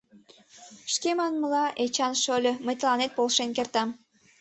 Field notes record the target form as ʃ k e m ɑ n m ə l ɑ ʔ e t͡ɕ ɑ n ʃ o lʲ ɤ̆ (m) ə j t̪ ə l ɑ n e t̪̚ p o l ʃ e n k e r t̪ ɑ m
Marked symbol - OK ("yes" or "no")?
yes